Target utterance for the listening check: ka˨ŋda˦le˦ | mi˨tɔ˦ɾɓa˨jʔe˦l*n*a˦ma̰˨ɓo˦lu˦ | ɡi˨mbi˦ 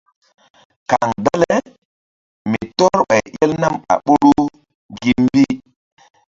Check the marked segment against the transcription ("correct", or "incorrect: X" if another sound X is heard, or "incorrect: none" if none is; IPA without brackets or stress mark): correct